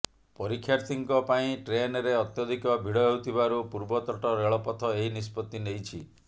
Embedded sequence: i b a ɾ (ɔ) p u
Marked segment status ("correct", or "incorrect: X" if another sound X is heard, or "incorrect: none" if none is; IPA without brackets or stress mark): incorrect: u